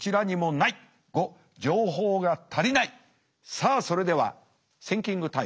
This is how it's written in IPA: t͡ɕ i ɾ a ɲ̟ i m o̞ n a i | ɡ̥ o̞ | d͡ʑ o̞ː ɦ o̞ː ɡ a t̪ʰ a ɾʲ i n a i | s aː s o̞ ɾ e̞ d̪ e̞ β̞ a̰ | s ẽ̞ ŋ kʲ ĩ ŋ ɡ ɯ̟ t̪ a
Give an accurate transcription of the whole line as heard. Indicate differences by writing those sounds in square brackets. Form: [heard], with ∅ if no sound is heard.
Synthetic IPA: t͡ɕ i ɾ a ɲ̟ i m o̞ n a i | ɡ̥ o̞ | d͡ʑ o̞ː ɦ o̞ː ɡ a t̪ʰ a ɾʲ i n a i | s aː s o̞ ɾ e̞ d̪ e̞ β̞ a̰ | s ẽ̞ ŋ kʲ ĩ ŋ ɡ ɯ̟ t̪ a